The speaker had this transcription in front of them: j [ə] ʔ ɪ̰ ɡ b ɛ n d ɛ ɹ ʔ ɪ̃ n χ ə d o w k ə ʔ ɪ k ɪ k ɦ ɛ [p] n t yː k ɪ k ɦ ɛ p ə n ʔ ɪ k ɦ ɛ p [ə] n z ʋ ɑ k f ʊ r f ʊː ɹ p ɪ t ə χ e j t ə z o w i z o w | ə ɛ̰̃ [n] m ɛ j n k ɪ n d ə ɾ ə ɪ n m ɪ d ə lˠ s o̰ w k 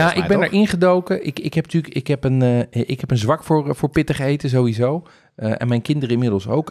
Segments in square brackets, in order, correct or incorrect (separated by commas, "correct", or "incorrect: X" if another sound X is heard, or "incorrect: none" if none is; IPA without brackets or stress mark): incorrect: a, correct, correct, correct